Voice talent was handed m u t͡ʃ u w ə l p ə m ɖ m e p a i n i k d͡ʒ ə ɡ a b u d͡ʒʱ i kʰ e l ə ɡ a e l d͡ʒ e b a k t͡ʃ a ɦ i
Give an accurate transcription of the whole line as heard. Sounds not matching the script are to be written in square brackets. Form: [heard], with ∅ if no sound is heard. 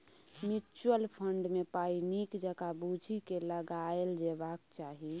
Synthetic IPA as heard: m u t͡ʃ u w ə l [pʰ] ə [ɳ] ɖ m e p a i n i k d͡ʒ ə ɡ a b u d͡ʒʱ i [k] e l ə ɡ a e l d͡ʒ e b a k t͡ʃ a ɦ i